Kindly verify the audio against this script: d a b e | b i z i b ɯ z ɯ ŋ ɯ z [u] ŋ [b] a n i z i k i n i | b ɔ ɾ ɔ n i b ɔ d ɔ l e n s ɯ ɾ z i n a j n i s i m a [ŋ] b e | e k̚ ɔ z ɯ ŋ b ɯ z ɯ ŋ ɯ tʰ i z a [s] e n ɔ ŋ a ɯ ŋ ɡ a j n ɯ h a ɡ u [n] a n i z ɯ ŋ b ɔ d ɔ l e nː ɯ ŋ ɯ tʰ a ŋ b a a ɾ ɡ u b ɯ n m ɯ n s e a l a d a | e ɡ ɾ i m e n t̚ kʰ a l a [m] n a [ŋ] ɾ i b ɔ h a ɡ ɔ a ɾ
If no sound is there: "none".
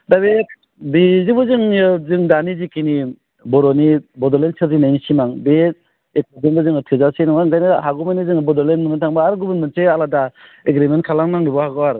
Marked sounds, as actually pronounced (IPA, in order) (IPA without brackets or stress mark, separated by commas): ɯ, d, ŋ, s, m, ŋ, ŋ